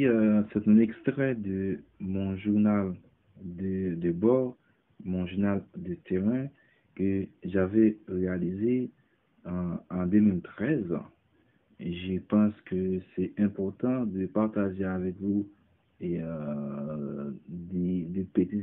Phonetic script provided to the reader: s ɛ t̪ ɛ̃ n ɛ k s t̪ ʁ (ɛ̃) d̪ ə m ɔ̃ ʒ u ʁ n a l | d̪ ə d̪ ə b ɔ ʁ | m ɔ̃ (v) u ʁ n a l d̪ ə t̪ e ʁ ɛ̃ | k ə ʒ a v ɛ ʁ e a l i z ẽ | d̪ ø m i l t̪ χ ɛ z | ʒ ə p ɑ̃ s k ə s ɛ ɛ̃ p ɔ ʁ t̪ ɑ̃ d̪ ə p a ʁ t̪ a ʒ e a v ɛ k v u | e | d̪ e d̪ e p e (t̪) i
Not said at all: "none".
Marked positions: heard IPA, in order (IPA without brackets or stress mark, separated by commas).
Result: ɛ, ʒ, t̪